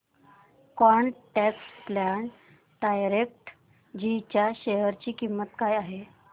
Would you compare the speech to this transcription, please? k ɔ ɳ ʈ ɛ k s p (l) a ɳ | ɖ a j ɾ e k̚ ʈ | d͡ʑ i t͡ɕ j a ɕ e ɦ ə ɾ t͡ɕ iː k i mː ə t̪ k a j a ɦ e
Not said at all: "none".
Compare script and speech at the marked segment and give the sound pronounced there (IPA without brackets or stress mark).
l